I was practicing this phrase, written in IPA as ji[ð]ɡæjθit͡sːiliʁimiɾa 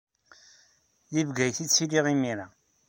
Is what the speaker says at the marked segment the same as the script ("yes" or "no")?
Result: no